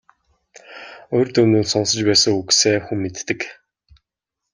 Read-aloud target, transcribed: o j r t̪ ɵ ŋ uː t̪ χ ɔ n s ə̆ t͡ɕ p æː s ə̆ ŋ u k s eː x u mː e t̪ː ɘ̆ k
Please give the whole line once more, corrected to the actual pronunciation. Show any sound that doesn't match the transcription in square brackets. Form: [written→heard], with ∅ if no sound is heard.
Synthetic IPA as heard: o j r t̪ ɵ [ŋ→n] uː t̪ [χ→s] ɔ n s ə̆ t͡ɕ p æː s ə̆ ŋ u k s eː x u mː e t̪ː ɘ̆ k